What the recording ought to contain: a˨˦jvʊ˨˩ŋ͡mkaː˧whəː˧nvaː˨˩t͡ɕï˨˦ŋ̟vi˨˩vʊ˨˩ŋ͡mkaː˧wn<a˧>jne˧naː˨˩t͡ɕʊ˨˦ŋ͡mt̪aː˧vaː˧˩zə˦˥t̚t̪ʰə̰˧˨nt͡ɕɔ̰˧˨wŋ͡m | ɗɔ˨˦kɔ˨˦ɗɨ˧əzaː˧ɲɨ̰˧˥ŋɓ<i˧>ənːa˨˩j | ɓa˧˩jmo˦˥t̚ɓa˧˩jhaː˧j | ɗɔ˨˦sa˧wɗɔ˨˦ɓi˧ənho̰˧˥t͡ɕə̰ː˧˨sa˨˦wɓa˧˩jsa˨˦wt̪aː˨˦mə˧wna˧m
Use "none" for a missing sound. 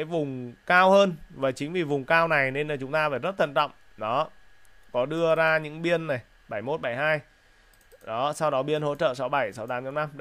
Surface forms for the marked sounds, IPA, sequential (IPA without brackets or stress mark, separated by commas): a˨˩, i˧